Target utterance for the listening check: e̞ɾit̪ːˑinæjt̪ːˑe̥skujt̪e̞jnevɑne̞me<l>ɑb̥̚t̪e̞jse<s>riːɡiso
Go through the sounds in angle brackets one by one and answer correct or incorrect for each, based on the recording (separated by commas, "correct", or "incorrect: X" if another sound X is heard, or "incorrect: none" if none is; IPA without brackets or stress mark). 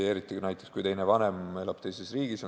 correct, correct